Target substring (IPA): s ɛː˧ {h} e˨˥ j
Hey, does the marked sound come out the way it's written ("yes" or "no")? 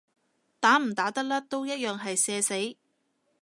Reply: no